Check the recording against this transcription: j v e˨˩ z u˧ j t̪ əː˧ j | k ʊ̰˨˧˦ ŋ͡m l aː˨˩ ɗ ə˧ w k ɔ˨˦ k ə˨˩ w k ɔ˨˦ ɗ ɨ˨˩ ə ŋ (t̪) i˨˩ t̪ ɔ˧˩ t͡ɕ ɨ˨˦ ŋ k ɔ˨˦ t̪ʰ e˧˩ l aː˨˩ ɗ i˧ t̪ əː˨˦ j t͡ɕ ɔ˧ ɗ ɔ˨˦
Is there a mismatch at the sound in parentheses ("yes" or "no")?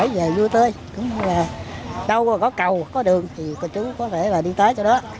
yes